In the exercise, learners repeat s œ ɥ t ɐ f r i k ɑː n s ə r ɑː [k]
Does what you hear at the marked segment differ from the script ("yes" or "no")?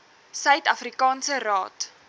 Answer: yes